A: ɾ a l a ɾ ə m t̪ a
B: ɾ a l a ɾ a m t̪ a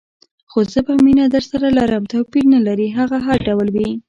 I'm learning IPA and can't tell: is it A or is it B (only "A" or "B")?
A